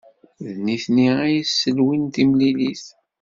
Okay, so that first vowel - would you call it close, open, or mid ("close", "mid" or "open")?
close